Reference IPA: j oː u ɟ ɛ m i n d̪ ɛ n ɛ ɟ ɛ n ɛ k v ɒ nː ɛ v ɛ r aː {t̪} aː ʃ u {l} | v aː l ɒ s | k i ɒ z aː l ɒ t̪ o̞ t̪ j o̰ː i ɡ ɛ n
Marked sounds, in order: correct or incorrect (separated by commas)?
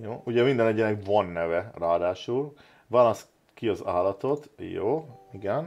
incorrect, correct